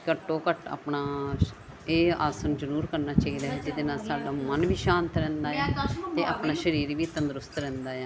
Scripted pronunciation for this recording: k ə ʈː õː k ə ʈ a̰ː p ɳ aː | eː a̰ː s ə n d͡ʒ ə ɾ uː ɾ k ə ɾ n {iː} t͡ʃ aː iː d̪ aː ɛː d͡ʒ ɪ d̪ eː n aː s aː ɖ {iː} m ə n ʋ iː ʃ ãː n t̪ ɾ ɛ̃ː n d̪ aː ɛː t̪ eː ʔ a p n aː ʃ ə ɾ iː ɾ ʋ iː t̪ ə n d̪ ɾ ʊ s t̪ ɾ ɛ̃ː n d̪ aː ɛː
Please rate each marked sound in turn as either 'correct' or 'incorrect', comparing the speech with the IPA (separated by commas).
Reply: incorrect, incorrect